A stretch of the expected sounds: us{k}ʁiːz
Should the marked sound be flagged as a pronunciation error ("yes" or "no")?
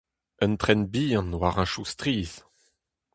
yes